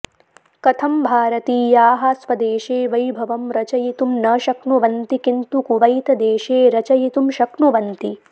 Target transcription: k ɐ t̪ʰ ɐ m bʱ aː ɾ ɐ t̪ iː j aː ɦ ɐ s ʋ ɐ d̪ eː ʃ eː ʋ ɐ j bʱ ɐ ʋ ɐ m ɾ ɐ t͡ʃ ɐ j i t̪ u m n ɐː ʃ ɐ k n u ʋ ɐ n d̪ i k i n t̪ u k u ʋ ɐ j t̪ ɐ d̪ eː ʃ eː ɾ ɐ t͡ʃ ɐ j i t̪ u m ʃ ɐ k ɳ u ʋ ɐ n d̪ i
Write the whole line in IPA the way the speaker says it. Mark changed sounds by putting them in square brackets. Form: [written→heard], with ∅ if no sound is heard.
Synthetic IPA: k ɐ t̪ʰ ɐ m bʱ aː ɾ ɐ t̪ iː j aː ɦ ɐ s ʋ ɐ d̪ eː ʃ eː ʋ ɐ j bʱ ɐ ʋ ɐ m ɾ ɐ t͡ʃ ɐ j i t̪ u m n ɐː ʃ ɐ k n u ʋ ɐ n [d̪→t̪] i k i n t̪ u k u ʋ ɐ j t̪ ɐ d̪ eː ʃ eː ɾ ɐ t͡ʃ ɐ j i t̪ u m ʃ ɐ k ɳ u ʋ ɐ n [d̪→t̪] i